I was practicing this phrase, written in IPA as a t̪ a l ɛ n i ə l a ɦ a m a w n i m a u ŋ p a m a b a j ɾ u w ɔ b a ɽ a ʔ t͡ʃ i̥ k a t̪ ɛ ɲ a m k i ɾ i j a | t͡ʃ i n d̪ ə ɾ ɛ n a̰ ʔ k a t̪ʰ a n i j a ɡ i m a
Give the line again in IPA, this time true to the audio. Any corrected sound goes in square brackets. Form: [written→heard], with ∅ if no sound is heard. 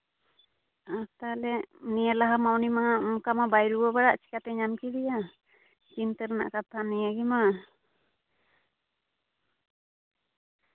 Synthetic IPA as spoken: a t̪ a l ɛ n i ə l a ɦ a m a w n i m a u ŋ [p→k] a m a b a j ɾ u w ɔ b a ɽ a ʔ t͡ʃ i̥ k a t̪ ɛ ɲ a m k i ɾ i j a | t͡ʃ i n [d̪→t̪] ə ɾ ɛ n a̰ ʔ k a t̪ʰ a n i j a ɡ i m a